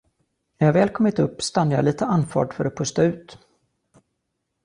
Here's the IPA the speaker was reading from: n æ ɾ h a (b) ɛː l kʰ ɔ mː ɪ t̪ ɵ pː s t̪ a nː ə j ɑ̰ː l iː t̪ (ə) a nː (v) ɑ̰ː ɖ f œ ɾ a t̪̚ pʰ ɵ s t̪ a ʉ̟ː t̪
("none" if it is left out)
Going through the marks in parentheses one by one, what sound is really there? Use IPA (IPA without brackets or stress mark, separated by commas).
v, ə, f